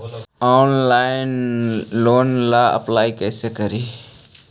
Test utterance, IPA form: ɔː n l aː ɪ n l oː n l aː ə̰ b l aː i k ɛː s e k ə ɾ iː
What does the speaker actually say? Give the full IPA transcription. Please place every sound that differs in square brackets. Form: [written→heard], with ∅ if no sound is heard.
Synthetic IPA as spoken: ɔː n l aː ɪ n l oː n l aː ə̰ [b→p] l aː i k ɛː s e k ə ɾ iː